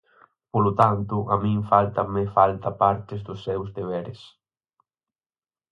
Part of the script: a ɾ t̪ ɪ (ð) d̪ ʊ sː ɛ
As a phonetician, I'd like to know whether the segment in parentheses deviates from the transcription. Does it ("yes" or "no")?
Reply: yes